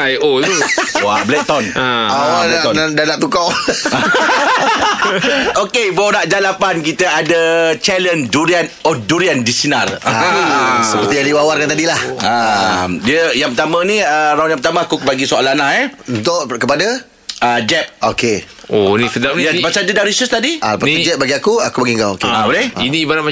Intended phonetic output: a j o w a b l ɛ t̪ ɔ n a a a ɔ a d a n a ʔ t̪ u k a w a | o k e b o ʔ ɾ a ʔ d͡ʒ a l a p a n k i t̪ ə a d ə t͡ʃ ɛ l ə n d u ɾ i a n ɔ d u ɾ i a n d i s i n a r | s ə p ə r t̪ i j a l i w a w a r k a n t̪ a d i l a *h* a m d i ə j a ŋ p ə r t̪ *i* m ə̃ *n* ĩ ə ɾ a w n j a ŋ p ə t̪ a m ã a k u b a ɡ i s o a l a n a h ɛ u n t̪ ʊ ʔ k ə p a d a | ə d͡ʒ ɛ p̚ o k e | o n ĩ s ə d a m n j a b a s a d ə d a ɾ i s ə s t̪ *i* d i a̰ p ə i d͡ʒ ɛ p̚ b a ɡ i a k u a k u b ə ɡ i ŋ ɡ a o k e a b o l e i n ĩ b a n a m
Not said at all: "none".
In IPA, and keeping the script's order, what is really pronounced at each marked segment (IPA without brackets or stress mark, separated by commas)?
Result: h, a, n, a